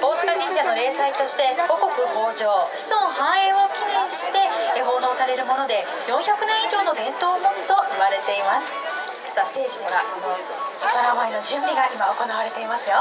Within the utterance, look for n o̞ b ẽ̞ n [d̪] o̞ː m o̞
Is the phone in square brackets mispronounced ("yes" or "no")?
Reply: yes